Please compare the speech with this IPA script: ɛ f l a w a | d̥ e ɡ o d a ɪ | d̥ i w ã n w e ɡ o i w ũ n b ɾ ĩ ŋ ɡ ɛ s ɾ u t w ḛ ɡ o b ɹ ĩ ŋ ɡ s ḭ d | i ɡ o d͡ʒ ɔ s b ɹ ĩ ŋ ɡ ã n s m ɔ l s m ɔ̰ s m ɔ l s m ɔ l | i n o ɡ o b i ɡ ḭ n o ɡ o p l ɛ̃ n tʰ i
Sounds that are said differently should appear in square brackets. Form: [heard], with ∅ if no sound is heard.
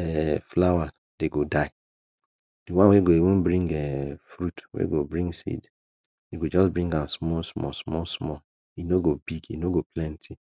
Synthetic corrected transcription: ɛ f l a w a | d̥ e ɡ o d a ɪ | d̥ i w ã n w e ɡ o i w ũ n b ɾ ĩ ŋ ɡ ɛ [f] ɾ u t w ḛ ɡ o b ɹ ĩ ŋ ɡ s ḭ d | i ɡ o d͡ʒ ɔ s b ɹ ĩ ŋ ɡ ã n s m ɔ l s m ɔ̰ s m ɔ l s m ɔ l | i n o ɡ o b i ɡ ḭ n o ɡ o p l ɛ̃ n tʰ i